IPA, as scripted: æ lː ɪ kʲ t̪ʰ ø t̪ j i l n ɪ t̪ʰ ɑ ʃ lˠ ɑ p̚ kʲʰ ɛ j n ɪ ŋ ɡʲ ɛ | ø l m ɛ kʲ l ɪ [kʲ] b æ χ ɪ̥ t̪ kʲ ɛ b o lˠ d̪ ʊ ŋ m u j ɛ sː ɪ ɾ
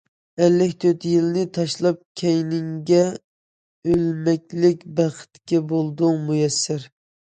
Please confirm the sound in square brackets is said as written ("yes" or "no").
yes